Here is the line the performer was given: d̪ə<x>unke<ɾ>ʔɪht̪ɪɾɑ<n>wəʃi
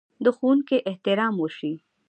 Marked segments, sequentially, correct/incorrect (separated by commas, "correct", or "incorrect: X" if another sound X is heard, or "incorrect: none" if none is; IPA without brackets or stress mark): correct, incorrect: none, incorrect: m